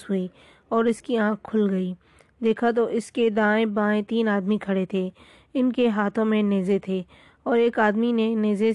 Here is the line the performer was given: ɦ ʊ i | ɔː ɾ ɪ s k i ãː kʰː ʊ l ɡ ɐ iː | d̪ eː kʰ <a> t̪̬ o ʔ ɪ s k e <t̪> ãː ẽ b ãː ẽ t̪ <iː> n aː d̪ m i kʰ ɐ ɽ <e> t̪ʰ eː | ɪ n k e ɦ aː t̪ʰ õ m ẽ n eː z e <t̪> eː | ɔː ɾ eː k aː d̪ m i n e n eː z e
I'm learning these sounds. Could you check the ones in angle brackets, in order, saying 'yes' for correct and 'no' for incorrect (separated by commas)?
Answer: yes, no, yes, yes, no